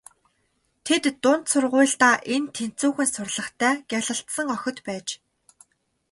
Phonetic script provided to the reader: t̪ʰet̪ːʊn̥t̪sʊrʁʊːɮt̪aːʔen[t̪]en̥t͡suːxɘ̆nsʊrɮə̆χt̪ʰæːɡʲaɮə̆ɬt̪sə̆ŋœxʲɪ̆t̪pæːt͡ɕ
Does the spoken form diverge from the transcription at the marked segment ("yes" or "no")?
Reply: yes